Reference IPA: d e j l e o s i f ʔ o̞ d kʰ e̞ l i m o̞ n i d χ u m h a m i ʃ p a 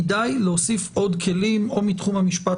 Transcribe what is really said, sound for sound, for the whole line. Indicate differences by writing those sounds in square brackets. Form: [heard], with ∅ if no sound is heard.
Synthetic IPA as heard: d [a] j l e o s i f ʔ o̞ d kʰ e̞ l i m o̞ [m] i [t] χ u m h a m i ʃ p a